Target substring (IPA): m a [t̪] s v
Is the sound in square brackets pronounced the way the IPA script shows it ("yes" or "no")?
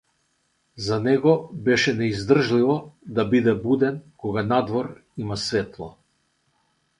no